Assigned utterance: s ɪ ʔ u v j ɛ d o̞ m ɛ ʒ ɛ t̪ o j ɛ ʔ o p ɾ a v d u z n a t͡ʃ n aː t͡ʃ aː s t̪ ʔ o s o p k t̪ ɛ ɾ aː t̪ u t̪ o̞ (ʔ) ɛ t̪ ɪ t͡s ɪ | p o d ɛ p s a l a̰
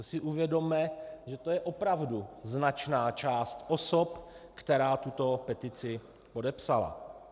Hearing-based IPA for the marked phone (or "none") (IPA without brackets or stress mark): p